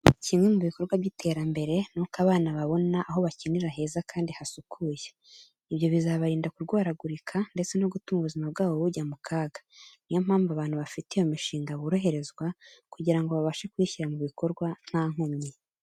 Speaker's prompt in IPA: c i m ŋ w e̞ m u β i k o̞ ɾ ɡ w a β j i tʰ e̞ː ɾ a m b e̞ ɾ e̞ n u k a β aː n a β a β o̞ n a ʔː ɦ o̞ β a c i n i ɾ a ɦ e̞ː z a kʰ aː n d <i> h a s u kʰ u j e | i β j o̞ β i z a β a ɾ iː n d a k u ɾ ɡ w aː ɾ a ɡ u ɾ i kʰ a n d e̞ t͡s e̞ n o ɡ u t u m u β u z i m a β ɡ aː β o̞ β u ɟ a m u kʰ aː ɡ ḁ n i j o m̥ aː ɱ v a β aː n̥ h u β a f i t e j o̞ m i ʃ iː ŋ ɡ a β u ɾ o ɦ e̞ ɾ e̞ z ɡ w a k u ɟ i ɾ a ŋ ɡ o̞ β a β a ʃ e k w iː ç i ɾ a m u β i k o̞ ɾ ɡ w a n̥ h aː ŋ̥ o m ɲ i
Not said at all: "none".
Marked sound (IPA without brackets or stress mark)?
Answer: i